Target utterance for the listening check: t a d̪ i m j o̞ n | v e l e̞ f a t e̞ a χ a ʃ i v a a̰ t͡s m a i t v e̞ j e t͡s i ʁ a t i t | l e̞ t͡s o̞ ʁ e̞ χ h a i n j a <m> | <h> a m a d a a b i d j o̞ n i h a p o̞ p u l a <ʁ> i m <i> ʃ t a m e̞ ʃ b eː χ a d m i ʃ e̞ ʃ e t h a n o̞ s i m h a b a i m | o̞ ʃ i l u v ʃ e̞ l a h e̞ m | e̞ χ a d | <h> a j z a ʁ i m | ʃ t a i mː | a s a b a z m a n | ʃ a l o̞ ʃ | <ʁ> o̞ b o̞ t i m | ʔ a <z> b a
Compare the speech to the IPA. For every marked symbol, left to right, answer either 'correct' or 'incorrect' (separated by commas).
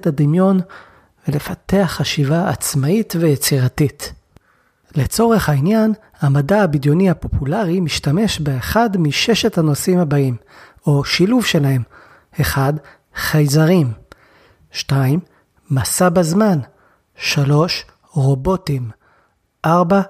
incorrect, correct, correct, correct, incorrect, correct, incorrect